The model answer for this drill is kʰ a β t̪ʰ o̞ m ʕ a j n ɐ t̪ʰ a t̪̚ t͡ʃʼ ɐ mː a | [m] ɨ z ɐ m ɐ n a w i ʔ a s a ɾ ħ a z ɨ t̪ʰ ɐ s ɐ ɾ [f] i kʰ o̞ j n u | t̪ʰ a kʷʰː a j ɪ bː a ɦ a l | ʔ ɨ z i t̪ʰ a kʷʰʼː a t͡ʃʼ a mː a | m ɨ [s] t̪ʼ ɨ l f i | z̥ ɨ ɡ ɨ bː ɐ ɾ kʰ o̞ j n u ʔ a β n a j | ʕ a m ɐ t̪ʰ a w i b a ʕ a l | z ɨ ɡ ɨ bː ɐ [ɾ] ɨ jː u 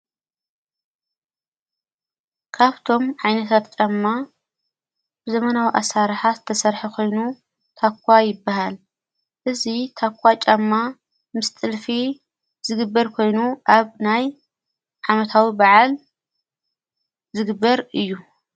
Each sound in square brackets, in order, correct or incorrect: incorrect: b, incorrect: ħ, correct, correct

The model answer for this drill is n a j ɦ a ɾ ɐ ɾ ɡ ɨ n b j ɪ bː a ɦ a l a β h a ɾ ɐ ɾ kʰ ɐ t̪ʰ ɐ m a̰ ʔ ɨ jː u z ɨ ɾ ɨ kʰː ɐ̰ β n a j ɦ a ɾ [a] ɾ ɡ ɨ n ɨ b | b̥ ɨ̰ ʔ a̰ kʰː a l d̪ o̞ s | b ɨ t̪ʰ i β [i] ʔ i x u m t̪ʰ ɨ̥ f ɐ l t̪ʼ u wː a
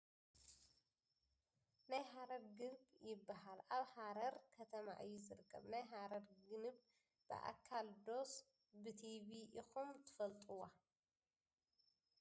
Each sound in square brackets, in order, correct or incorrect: incorrect: ɐ, correct

